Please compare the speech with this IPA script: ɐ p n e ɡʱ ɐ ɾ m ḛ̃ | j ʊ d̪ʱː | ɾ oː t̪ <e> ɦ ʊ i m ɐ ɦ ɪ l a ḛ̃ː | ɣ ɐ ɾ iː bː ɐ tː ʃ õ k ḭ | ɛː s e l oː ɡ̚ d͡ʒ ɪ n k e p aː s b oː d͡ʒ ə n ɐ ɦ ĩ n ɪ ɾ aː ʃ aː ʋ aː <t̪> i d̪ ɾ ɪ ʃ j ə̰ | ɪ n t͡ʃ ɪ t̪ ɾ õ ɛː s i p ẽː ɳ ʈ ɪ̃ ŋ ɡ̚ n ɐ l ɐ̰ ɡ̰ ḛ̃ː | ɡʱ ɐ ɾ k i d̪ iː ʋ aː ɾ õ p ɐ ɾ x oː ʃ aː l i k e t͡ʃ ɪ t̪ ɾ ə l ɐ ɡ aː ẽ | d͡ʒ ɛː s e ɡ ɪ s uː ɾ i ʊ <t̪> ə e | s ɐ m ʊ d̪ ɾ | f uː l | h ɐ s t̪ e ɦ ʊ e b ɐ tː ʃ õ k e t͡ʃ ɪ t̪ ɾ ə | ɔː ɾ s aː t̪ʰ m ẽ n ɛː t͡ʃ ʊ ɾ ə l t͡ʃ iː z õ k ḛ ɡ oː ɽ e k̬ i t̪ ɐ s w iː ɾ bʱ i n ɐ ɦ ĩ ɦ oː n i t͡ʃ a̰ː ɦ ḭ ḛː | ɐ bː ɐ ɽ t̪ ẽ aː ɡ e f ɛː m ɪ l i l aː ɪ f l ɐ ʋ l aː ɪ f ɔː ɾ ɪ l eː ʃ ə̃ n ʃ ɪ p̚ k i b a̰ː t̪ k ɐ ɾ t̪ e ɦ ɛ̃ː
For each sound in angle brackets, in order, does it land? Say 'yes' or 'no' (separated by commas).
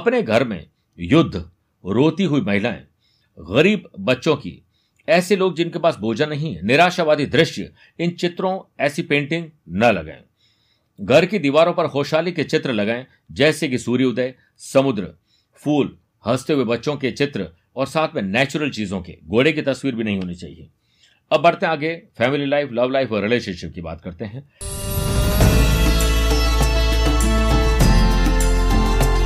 no, no, no